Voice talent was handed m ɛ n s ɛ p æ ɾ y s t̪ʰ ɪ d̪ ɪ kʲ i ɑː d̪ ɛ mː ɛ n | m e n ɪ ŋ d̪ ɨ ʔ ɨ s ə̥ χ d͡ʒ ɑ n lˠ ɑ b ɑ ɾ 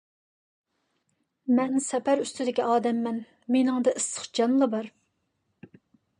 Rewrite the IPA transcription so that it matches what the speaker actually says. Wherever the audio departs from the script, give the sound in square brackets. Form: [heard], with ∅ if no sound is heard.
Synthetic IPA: m ɛ n s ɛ p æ ɾ y s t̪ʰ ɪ d̪ ɪ kʲ i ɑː d̪ ɛ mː ɛ n | m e n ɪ ŋ d̪ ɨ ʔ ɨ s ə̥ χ d͡ʒ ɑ n lˠ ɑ b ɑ ɾ